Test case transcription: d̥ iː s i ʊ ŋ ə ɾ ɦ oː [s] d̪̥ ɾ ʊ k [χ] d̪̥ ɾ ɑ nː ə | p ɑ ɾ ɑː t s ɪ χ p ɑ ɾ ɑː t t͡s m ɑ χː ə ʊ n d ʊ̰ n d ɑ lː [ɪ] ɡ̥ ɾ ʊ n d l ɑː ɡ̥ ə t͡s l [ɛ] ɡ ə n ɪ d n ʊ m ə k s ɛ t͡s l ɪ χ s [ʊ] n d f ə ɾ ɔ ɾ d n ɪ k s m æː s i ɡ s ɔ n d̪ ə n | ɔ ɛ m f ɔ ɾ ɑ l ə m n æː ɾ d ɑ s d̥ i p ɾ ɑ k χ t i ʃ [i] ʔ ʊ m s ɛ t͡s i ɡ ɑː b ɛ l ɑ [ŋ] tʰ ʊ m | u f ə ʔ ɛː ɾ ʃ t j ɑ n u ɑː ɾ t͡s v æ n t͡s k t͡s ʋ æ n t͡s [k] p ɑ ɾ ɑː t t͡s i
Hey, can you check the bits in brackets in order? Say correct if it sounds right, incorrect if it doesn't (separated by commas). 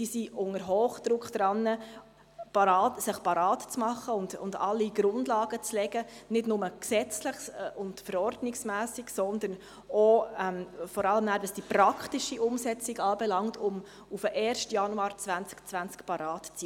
incorrect, correct, incorrect, correct, correct, correct, correct, correct